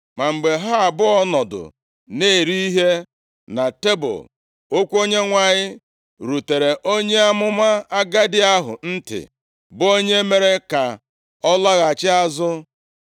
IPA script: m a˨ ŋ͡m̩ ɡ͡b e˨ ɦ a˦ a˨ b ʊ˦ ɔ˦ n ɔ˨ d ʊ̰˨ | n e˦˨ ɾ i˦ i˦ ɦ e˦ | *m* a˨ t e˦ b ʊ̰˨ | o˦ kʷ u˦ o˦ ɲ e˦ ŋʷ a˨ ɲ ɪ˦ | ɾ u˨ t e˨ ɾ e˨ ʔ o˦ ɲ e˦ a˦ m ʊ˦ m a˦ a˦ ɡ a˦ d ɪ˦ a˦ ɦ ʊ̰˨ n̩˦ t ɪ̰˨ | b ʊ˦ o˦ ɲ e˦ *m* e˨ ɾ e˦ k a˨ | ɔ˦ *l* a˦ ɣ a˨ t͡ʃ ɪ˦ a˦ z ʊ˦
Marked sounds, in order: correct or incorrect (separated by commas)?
incorrect, correct, correct